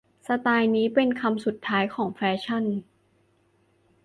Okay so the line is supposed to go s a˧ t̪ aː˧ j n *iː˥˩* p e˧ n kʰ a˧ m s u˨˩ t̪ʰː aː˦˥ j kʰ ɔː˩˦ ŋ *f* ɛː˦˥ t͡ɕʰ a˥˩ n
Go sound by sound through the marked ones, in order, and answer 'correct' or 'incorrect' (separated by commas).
incorrect, correct